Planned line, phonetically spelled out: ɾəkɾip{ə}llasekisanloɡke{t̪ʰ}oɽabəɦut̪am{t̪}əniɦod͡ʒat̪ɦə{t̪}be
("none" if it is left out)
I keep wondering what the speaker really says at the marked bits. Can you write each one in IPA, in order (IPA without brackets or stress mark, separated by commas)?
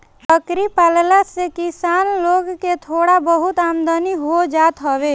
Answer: a, t̪ʰ, d̪, none